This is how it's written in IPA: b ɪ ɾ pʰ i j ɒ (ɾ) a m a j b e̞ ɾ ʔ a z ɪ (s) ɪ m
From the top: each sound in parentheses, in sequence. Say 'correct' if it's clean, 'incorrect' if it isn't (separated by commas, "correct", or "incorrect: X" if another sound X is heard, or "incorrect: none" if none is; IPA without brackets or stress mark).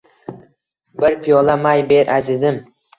incorrect: l, incorrect: z